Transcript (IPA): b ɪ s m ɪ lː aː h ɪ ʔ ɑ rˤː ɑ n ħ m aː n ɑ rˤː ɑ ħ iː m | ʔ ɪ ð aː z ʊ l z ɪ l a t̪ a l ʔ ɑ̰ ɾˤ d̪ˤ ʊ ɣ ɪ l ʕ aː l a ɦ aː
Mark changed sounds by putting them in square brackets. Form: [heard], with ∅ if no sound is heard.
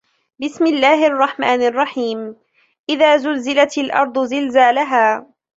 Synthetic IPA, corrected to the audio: b ɪ s m ɪ lː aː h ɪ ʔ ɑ rˤː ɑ [∅] ħ m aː n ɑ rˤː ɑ ħ iː m | ʔ ɪ ð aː z ʊ l z ɪ l a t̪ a l ʔ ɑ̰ ɾˤ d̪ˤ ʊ [z] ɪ l [z] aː l a ɦ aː

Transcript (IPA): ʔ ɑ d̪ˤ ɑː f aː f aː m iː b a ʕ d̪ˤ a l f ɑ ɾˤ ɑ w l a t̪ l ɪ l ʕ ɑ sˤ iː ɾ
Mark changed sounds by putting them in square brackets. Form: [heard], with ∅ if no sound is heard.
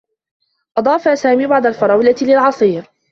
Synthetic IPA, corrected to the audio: ʔ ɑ d̪ˤ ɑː f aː [s] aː m iː b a ʕ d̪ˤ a l f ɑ ɾˤ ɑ w l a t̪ l ɪ l ʕ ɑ sˤ iː ɾ

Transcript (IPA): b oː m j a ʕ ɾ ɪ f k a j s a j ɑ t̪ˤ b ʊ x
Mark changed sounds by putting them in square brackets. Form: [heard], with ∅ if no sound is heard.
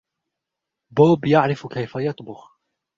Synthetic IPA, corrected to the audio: b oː [b] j a ʕ ɾ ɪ f k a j [f] a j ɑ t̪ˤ b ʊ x

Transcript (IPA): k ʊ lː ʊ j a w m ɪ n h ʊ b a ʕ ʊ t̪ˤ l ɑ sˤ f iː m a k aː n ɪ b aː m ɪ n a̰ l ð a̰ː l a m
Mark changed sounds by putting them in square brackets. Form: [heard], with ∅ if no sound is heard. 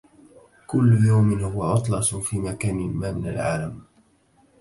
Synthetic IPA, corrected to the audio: k ʊ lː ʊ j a w m ɪ n h ʊ [w] a ʕ ʊ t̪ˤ l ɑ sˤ f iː m a k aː n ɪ [m] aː m ɪ n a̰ l [ʕ] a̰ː l a m

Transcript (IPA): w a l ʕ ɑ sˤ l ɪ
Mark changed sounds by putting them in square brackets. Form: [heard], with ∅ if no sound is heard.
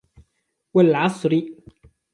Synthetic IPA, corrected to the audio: w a l ʕ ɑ sˤ [ɾ] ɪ

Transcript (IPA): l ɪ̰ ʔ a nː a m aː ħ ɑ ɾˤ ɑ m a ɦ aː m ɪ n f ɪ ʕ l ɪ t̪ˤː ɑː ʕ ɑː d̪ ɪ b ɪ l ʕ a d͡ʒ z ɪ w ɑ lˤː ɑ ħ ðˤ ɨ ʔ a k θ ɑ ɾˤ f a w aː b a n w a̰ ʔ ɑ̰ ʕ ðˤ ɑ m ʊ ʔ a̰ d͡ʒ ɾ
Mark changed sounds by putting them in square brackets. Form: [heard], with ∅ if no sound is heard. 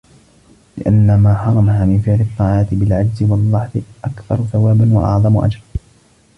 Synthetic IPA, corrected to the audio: l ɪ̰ ʔ a nː a m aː ħ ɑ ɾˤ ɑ m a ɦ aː m ɪ n f ɪ ʕ l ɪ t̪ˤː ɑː ʕ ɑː [t̪] ɪ b ɪ l ʕ a d͡ʒ z ɪ w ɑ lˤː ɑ ħ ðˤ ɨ ʔ a k θ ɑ ɾˤ [θ] a w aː b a n w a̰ ʔ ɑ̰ ʕ ðˤ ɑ m ʊ ʔ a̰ d͡ʒ ɾ

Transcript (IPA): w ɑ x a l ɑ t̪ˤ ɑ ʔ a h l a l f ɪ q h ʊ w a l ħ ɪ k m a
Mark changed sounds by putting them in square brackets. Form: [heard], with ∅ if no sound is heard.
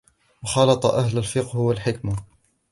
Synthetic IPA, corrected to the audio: w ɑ x [ɑ] l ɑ t̪ˤ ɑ ʔ a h l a l f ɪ q h ʊ w a l ħ ɪ k m a

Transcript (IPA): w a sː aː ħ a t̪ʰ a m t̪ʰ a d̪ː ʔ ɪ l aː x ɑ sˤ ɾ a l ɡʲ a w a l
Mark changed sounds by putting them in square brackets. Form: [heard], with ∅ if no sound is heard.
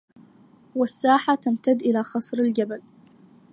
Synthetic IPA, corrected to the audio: w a sː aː ħ a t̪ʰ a m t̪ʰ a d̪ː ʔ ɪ l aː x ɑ sˤ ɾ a l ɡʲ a [b] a l

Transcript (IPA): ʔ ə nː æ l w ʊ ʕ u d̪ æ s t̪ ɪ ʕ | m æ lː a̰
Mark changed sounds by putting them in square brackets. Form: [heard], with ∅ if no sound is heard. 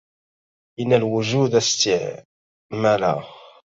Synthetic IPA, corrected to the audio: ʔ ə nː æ l w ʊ [ʒ] u d̪ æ s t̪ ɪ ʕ | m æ [l] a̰

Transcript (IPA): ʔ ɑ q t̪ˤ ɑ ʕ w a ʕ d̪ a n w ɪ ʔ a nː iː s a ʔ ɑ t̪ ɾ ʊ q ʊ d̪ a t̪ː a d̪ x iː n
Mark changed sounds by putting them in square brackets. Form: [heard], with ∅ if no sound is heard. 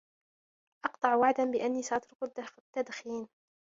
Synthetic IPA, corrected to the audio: ʔ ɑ q t̪ˤ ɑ ʕ w a ʕ d̪ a n [b] ɪ ʔ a nː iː s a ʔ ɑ t̪ ɾ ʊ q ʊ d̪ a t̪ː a d̪ x iː n

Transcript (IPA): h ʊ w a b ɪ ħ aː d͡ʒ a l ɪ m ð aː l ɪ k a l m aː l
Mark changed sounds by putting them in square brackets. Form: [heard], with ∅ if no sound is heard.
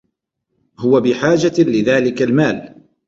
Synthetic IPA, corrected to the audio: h ʊ w a b ɪ ħ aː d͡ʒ a l ɪ [∅] ð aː l ɪ k a l m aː l

